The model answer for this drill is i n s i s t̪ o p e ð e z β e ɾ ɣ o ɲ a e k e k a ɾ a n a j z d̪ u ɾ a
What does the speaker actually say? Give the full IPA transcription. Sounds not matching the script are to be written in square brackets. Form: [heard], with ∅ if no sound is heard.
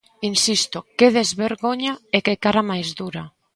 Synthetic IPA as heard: i n s i s t̪ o [k] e ð e z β e ɾ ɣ o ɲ a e k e k a ɾ a [m] a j z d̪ u ɾ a